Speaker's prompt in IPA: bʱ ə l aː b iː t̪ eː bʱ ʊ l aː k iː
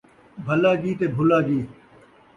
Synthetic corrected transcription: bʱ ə l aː ɡ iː t̪ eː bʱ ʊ l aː ɡ iː